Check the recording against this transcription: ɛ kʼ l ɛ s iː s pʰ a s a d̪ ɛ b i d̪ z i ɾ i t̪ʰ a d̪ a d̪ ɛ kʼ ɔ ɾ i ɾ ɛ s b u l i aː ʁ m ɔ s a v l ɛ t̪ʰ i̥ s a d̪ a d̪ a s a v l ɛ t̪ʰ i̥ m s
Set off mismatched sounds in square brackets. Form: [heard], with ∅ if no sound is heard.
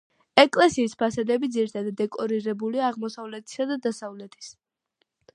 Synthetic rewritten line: ɛ kʼ l ɛ s iː s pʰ a s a d̪ ɛ b i d̪ z i ɾ i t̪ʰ a d̪ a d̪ ɛ kʼ ɔ ɾ i ɾ ɛ [∅] b u l i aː ʁ m ɔ s a v l ɛ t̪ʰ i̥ s a d̪ a d̪ a s a v l ɛ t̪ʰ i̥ [∅] s